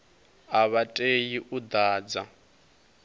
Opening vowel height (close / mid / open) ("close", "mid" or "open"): open